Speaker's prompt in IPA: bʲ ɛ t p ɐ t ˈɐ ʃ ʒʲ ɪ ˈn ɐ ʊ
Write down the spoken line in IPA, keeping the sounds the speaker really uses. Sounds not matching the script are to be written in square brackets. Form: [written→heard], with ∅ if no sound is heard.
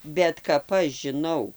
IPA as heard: bʲ ɛ t [p→k] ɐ [t→p] ˈɐ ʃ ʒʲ ɪ ˈn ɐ ʊ